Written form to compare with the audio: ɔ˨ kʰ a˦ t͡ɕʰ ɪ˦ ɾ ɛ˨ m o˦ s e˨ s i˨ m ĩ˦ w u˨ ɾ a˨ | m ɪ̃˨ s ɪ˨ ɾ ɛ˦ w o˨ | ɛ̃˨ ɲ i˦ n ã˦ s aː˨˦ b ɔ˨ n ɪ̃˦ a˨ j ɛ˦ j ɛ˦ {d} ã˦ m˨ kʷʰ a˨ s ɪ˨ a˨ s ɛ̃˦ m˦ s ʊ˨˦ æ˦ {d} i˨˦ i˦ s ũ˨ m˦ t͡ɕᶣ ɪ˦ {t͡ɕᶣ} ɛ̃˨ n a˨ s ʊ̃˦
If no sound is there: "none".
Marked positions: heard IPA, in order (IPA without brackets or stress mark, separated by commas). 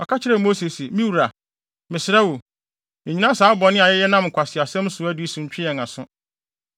n, d, none